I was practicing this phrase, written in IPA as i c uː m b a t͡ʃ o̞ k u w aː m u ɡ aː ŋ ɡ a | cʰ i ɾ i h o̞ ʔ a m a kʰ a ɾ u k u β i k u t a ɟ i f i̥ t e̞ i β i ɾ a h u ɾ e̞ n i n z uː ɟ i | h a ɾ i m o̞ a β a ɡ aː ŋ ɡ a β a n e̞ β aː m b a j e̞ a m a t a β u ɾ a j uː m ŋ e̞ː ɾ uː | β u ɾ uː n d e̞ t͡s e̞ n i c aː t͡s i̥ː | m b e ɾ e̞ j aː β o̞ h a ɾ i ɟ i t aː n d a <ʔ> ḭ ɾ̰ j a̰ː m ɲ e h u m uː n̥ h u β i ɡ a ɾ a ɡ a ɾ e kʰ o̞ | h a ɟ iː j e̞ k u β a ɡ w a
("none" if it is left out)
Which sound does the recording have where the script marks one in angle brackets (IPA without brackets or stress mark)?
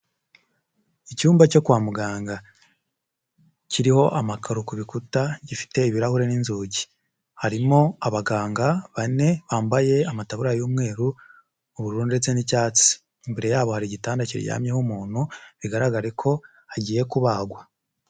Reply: c